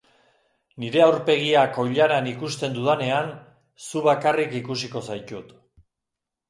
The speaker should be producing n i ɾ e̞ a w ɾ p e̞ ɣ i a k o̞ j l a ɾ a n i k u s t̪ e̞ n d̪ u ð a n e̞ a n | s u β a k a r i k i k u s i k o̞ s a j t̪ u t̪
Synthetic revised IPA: n i ɾ e̞ a w ɾ p e̞ ɣ i a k o̞ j ʎ a ɾ a n i k u s t̪ e̞ n d̪ u ð a n e̞ a n | s u β a k a r i k i k u s i k o̞ s a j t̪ u t̪